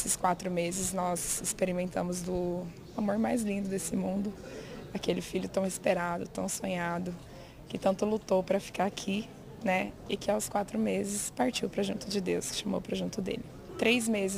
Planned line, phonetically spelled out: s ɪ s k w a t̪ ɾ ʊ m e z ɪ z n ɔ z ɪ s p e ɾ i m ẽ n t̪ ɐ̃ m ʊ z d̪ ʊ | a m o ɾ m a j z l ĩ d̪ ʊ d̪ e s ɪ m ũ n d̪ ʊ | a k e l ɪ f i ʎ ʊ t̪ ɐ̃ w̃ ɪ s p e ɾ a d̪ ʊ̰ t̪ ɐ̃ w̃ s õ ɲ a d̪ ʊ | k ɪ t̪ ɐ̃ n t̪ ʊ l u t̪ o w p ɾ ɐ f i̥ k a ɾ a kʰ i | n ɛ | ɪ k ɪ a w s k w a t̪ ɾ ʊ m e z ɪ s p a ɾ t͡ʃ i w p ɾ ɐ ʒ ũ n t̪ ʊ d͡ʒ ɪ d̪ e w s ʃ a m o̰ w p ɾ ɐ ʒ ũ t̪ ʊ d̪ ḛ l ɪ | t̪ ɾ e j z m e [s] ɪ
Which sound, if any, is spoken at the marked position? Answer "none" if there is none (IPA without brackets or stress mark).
z